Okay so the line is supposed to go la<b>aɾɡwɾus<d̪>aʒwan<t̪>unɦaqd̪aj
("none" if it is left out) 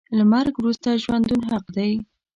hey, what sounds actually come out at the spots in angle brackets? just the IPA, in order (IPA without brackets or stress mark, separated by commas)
m, t̪, d̪